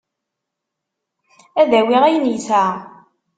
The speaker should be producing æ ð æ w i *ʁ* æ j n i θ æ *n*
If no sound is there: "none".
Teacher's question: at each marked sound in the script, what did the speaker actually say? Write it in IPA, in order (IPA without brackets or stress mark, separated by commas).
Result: ʁ, none